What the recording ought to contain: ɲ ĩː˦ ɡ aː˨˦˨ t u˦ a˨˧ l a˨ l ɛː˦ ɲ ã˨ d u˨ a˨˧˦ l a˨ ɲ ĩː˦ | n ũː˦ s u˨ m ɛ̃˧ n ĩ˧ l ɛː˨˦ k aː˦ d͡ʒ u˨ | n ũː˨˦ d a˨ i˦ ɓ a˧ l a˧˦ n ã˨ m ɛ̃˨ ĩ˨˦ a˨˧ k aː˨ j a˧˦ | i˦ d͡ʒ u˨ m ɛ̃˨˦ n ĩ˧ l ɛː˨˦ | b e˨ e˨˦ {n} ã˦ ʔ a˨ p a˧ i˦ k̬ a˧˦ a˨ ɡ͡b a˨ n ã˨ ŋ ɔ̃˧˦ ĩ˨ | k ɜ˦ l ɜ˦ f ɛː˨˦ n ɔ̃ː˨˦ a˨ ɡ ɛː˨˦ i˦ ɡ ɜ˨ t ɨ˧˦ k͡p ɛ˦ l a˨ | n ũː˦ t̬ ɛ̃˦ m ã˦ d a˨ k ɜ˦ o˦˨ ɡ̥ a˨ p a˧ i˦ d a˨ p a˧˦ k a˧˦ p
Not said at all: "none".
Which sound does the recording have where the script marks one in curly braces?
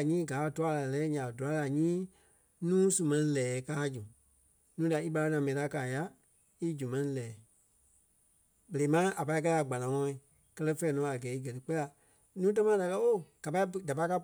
m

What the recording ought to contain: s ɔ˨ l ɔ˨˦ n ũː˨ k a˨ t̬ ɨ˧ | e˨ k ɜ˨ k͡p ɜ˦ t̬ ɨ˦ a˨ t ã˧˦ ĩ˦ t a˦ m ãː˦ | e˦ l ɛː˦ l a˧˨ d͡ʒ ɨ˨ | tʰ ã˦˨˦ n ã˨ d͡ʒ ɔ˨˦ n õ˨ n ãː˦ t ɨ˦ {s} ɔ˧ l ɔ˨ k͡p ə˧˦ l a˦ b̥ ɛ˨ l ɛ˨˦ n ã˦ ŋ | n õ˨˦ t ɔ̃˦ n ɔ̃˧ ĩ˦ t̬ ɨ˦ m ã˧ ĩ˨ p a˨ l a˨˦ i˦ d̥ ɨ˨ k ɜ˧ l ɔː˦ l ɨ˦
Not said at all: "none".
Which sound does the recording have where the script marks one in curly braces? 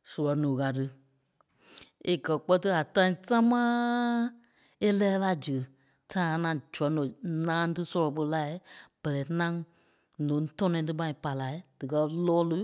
s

